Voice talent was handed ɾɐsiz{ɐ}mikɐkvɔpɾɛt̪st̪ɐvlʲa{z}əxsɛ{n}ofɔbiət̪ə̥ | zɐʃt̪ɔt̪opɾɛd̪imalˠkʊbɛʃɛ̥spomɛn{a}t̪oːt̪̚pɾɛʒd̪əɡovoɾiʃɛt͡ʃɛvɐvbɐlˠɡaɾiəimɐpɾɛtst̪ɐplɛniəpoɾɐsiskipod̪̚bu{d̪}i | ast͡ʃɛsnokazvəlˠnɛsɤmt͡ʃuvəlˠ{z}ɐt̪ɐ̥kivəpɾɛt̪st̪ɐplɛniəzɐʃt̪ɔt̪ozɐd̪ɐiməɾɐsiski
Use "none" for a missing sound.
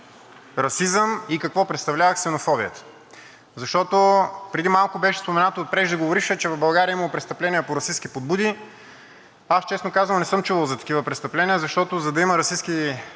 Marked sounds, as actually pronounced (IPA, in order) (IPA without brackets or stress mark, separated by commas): ə, v, n, a, d̪, z